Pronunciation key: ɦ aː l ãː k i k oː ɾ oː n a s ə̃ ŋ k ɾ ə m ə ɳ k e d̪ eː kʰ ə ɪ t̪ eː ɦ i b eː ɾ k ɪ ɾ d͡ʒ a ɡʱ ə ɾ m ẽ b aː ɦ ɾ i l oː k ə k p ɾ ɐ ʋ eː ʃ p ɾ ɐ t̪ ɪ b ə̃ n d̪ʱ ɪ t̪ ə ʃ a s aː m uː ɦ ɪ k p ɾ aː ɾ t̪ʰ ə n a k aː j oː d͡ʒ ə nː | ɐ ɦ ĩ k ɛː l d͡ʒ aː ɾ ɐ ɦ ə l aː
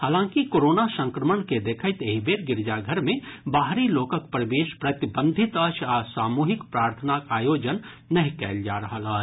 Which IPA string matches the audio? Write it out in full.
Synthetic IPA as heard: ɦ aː l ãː k i k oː ɾ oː n a s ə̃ ŋ k ɾ ə m ə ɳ k e d̪ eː kʰ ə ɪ t̪ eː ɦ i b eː ɾ ɡ ɪ ɾ d͡ʒ a ɡʱ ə ɾ m ẽ b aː ɦ ɾ i l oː k ə k p ɾ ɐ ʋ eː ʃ p ɾ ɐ t̪ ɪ b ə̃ n d̪ʱ ɪ t̪ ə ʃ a s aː m uː ɦ ɪ k p ɾ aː ɾ t̪ʰ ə n a k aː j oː d͡ʒ ə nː | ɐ ɦ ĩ k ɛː l d͡ʒ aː ɾ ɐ ɦ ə l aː